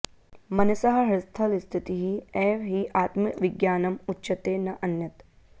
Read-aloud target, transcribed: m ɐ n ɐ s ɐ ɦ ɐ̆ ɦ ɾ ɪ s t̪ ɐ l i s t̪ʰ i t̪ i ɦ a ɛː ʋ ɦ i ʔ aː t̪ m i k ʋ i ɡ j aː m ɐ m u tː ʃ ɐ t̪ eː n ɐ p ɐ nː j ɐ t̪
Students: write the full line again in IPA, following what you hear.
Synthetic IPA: m ɐ n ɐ s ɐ ɦ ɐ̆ ɦ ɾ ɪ s t̪ʰ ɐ l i s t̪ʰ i t̪ i ɦ i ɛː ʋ ɦ i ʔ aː t̪ m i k ʋ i ɡ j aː n ɐ m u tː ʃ ɐ t̪ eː n ɐ ʔ ɐ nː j ɐ t̪